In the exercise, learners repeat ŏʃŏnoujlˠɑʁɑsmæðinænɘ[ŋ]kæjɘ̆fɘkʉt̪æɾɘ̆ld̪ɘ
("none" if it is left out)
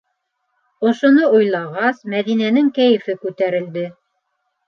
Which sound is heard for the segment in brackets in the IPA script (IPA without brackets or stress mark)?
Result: ŋ